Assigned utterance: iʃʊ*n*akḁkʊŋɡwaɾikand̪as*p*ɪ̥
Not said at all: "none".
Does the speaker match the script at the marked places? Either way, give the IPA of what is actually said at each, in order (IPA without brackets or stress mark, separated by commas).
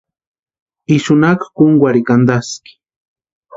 n, k